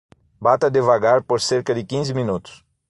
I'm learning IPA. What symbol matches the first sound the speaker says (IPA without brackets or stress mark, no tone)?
b